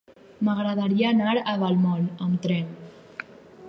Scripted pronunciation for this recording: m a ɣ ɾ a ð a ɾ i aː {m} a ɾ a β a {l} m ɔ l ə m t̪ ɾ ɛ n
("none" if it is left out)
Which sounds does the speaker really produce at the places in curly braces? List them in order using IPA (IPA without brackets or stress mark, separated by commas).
n, l